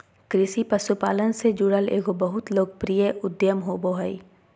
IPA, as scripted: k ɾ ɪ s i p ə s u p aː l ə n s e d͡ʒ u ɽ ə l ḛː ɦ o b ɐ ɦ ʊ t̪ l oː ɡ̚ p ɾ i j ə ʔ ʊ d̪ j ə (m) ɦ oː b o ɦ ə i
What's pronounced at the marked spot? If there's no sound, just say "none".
m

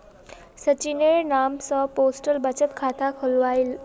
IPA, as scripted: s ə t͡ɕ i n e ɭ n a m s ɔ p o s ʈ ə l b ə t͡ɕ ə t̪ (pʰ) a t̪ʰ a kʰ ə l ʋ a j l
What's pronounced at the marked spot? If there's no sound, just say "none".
kʰ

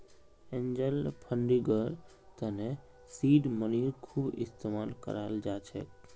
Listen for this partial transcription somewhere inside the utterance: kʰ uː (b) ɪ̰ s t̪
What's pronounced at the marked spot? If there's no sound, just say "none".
b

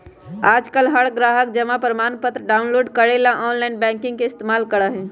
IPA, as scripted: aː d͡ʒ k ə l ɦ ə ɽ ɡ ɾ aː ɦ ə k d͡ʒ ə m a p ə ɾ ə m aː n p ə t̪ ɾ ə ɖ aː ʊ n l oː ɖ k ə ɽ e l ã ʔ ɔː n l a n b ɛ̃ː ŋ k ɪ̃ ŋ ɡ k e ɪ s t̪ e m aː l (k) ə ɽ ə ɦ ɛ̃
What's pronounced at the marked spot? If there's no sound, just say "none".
k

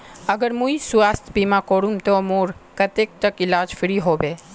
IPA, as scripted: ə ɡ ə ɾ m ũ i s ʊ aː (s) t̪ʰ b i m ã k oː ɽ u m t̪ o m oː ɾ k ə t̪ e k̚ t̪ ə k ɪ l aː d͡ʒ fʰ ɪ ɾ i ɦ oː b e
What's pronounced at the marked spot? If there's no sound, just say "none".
s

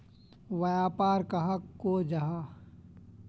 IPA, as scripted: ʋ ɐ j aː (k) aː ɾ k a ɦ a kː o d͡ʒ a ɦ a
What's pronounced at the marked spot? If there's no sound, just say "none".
p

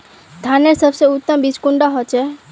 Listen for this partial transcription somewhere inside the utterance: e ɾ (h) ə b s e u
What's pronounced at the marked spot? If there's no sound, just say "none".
s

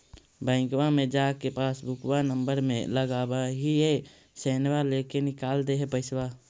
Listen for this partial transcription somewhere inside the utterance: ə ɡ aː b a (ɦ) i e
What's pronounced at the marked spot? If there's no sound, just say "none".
ɦ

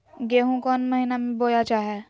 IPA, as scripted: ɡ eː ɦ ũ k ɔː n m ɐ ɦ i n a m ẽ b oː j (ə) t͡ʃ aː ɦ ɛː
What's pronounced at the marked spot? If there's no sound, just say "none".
a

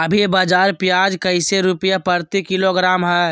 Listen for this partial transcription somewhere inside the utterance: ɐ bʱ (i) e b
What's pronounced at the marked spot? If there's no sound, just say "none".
i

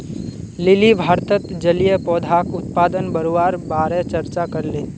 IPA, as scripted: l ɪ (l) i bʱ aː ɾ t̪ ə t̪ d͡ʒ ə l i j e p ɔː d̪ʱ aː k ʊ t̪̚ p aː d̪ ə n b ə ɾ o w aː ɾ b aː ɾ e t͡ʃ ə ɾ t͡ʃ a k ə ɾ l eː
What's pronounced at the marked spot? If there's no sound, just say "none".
l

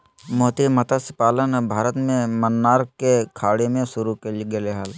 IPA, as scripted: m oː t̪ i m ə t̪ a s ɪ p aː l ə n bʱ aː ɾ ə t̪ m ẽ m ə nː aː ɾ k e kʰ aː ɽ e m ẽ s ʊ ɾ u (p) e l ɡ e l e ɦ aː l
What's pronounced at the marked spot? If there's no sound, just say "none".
k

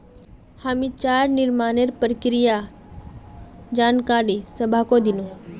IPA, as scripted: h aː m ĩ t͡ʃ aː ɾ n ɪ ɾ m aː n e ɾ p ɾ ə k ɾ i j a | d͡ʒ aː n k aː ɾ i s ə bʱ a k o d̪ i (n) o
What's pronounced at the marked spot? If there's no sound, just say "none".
n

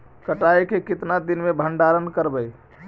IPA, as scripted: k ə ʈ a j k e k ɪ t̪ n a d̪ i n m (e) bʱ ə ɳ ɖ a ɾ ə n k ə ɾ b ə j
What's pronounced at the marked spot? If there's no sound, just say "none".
e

